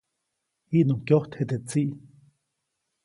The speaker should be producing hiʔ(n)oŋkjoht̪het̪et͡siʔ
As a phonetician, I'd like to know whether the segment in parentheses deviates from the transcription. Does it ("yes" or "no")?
no